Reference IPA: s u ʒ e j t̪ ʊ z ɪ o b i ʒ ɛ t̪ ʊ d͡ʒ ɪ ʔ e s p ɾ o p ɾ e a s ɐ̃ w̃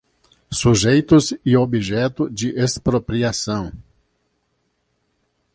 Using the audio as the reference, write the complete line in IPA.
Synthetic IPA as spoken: s u ʒ e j t̪ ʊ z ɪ o b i ʒ ɛ t̪ ʊ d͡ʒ ɪ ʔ e s p ɾ o p ɾ i a s ɐ̃ w̃